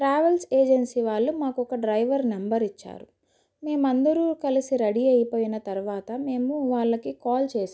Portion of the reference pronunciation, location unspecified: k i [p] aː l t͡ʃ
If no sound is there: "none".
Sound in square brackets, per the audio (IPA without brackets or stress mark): k